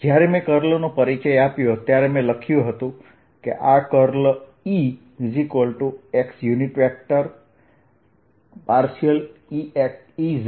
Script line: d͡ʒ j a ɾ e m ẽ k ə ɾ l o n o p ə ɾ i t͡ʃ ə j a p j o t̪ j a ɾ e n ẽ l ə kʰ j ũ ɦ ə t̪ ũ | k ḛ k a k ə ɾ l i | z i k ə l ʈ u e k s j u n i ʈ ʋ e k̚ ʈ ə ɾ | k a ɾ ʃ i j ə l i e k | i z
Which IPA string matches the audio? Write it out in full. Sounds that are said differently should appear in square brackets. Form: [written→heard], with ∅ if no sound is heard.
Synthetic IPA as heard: d͡ʒ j a ɾ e m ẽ k ə ɾ l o n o p ə ɾ i t͡ʃ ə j a p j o t̪ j a ɾ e [n→m] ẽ l ə kʰ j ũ ɦ ə t̪ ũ | k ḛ [k→ʔ] a k ə ɾ l i | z i k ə l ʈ u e k s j u n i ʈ ʋ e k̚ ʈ ə ɾ | [k→p] a ɾ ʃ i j ə l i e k | i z